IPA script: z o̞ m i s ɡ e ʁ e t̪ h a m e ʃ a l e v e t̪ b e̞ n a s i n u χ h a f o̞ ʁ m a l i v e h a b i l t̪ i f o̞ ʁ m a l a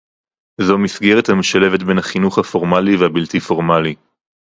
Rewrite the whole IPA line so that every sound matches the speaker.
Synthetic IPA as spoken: z o̞ m i s ɡ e ʁ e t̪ h a m e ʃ a l e v e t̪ b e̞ n a χ i n u χ h a f o̞ ʁ m a l i v e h a b i l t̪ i f o̞ ʁ m a l i